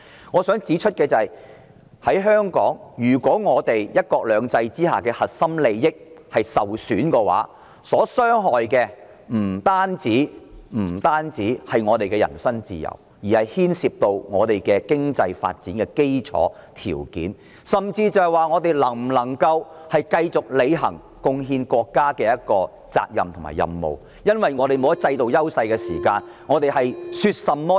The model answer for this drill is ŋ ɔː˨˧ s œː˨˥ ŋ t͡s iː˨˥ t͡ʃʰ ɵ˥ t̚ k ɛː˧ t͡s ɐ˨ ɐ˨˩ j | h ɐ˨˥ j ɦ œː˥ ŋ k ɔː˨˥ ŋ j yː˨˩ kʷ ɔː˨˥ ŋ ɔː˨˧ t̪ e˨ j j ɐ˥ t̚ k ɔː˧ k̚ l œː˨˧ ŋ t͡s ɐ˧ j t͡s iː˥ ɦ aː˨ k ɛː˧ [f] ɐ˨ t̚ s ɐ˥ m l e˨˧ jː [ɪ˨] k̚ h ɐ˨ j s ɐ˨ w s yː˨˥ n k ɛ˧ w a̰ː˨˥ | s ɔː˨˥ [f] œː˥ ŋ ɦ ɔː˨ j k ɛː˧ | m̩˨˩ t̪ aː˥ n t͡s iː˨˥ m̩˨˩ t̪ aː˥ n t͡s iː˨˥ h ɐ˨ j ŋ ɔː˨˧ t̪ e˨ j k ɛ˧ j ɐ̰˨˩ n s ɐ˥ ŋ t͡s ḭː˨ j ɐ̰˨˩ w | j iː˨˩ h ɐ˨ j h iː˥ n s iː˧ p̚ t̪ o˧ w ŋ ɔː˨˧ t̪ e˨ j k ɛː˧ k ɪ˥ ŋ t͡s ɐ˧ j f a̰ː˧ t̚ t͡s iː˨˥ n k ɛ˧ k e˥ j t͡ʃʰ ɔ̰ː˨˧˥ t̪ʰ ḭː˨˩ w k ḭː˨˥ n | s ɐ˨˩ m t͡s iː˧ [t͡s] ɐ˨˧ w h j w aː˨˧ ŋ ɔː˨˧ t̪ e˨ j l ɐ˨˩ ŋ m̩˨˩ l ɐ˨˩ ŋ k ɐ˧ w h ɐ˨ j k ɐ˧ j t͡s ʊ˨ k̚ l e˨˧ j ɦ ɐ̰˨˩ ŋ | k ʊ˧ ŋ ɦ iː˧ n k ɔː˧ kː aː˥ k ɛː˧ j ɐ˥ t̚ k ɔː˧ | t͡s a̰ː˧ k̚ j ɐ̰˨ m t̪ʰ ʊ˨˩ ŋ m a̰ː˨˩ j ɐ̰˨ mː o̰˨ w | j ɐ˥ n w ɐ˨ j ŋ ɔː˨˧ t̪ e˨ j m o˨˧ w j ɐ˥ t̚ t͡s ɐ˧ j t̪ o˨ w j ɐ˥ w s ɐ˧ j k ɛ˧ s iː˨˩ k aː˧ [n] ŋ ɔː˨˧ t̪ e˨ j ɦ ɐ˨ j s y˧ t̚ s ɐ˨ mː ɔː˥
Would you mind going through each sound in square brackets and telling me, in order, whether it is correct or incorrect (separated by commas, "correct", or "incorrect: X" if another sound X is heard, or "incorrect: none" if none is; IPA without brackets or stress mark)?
incorrect: h, incorrect: ɪ˥, incorrect: s, correct, correct